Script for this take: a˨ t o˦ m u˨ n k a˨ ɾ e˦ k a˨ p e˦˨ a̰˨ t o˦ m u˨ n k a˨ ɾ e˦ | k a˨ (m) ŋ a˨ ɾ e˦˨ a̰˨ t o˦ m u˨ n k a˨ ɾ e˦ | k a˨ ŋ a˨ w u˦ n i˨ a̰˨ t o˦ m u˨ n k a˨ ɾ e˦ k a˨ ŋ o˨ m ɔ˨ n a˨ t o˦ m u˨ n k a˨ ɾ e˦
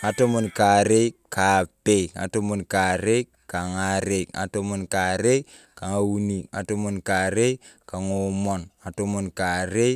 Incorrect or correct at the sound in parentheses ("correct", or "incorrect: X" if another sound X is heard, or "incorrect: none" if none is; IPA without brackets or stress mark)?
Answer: incorrect: none